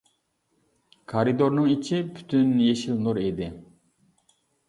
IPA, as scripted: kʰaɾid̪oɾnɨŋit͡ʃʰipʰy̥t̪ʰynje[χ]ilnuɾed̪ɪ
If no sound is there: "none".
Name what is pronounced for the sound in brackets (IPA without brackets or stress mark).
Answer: ʃ